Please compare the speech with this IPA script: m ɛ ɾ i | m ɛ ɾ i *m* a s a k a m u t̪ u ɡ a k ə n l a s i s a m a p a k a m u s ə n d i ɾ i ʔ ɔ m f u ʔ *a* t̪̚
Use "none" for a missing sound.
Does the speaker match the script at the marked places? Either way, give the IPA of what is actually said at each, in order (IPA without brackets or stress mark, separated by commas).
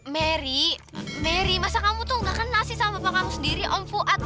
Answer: m, a